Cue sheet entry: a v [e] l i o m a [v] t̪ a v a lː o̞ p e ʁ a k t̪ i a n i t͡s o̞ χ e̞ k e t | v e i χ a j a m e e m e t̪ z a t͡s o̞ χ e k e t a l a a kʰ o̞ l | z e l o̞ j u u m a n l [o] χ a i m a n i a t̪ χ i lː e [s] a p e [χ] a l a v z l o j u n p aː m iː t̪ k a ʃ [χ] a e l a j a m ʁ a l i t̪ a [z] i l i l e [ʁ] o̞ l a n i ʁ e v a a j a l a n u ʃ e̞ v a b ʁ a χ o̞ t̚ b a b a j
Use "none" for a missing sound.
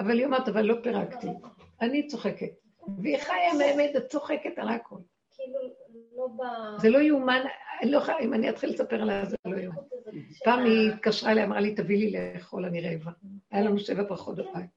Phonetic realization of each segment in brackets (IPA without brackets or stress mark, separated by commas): a, ʁ, o, s, ʁ, ʁ, v, χ